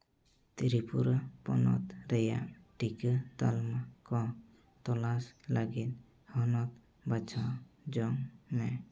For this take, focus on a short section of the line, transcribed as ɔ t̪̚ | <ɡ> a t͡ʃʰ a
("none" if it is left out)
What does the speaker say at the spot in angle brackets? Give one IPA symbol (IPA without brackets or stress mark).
b